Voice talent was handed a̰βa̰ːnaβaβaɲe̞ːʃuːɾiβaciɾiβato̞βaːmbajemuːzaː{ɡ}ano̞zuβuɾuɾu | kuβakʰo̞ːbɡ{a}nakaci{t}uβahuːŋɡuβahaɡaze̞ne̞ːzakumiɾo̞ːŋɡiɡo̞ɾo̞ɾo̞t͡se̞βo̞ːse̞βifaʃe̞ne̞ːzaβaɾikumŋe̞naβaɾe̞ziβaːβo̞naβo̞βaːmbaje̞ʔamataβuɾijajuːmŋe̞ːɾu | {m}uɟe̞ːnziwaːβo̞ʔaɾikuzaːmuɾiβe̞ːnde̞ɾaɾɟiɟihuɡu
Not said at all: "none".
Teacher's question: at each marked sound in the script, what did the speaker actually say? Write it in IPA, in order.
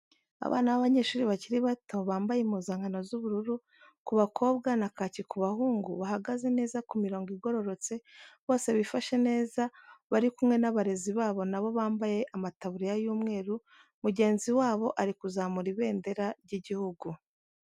ŋ, a, k, m

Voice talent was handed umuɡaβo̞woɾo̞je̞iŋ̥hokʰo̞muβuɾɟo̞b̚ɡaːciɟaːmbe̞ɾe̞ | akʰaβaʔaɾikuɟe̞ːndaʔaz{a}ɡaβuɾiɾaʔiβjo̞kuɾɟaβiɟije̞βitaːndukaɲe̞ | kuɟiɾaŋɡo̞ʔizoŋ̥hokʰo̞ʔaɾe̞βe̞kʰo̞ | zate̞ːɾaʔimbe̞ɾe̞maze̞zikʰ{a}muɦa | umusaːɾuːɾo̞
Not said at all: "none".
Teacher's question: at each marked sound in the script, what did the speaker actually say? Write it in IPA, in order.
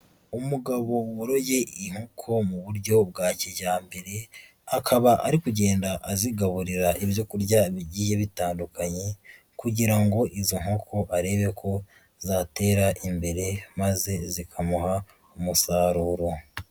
i, a

